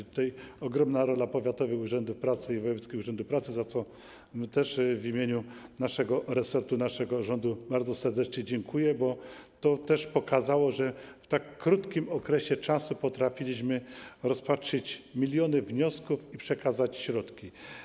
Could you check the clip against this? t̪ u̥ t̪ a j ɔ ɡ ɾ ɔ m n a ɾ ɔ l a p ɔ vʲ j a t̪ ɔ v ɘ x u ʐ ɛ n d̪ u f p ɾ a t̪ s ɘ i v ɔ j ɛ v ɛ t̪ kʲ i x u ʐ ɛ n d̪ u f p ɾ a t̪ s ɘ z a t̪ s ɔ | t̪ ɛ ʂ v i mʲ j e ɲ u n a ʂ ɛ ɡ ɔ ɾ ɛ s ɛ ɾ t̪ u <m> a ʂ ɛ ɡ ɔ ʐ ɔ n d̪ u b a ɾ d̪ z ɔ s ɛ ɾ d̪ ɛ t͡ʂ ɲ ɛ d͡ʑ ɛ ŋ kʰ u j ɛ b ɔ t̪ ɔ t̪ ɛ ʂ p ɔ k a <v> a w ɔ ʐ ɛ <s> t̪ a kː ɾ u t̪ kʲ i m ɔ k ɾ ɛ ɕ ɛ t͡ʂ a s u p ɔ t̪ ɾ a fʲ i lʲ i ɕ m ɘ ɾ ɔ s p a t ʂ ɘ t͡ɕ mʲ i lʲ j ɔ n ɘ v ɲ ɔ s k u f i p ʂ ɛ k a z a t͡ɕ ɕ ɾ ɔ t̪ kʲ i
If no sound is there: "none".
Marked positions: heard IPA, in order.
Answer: n, z, f

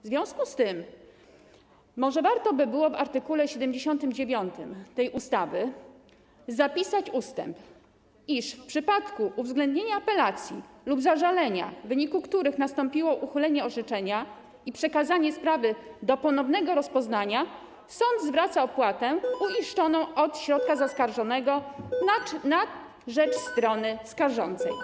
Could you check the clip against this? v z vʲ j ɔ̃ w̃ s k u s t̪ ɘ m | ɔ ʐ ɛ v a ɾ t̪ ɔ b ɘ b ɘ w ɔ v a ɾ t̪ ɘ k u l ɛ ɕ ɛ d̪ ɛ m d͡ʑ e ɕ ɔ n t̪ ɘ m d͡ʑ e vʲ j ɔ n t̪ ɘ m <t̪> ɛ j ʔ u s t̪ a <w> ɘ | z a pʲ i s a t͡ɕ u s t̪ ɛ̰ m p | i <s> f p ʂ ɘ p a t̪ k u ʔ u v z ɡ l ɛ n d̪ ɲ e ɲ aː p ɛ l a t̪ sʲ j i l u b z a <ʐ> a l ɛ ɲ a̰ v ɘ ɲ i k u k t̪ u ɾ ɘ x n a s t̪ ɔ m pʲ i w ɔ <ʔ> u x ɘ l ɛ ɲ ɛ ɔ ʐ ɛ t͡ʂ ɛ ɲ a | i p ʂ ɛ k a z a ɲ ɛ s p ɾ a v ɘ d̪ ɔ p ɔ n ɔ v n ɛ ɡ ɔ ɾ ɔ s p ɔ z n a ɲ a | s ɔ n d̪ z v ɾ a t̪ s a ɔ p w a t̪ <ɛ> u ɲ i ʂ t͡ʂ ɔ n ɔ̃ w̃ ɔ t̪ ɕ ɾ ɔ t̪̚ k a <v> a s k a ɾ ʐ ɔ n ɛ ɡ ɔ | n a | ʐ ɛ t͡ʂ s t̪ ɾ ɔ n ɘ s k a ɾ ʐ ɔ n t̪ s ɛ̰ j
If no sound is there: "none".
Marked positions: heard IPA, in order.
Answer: t̪, v, ʂ, ʐ, ʔ, ɛ, z

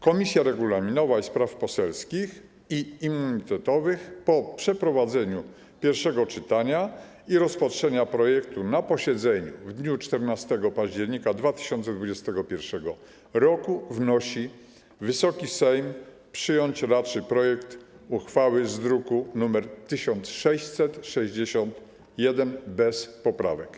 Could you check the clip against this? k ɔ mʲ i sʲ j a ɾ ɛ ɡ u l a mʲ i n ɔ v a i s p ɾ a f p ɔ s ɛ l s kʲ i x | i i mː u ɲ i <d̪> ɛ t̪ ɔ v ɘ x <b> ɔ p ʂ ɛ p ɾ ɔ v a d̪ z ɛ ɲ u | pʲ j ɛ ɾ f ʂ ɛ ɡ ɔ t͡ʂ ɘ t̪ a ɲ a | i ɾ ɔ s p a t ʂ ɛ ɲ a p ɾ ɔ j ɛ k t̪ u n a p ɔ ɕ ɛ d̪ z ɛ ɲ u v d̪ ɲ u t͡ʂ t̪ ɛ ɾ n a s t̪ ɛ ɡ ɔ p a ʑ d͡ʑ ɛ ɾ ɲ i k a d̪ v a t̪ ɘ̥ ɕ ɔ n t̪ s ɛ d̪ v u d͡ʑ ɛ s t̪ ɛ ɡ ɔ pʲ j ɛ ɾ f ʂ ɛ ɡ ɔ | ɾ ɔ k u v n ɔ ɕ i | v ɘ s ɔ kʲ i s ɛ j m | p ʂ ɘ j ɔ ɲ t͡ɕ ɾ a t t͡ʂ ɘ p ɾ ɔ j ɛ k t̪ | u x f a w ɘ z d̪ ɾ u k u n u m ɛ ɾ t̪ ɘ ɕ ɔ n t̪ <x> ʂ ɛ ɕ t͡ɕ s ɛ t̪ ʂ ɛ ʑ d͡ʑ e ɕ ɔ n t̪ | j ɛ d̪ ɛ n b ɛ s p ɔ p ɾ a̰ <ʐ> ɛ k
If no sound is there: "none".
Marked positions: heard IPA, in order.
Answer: t̪, p, s, v

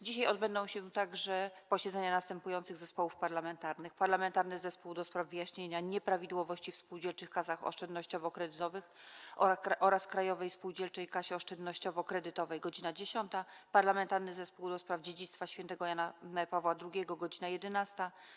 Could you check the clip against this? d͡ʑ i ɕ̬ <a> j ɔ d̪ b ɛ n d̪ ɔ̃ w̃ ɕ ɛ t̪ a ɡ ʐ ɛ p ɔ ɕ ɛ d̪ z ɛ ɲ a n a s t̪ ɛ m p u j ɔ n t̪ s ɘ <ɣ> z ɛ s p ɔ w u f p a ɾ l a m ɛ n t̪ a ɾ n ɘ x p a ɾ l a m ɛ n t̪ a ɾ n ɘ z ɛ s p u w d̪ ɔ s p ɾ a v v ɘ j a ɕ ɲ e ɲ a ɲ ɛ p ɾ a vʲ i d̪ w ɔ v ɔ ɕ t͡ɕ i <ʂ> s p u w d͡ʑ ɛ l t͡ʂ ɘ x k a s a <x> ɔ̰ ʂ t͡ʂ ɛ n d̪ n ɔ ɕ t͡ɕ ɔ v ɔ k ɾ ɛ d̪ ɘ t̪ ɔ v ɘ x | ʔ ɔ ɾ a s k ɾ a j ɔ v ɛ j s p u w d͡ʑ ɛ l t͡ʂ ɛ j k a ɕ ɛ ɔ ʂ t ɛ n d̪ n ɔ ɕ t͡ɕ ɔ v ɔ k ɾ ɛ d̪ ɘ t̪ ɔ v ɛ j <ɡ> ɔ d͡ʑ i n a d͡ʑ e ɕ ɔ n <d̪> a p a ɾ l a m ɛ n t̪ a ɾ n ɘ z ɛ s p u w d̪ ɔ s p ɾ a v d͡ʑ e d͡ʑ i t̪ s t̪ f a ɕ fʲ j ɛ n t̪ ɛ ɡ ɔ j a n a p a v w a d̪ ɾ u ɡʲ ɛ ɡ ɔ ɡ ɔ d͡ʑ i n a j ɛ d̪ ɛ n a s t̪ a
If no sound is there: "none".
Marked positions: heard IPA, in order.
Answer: a, ɣ, f, x, ɡ, t̪

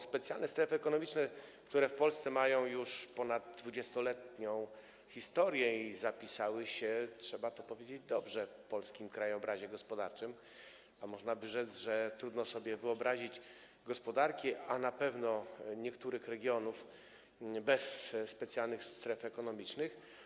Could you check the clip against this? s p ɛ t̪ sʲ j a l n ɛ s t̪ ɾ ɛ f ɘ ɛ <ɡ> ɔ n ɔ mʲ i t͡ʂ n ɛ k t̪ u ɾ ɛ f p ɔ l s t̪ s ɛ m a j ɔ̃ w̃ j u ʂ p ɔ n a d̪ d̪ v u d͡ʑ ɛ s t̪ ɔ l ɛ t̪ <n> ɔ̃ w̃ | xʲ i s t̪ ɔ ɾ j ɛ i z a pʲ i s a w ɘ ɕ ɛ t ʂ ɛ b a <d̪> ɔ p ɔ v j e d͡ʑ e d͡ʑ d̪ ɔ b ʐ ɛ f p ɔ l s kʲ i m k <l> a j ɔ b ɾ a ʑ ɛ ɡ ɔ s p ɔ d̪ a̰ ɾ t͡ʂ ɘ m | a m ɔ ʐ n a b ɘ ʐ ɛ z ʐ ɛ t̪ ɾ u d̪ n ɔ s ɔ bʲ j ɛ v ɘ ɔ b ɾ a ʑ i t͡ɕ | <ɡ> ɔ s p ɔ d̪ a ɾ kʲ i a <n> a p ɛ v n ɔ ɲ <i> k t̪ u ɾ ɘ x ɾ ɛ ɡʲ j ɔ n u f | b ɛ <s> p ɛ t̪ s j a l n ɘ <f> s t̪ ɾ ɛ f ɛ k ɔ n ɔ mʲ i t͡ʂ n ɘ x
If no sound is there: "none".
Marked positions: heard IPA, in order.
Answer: k, ɲ, t̪, ɾ, ɡ, n, ɛ, sː, x

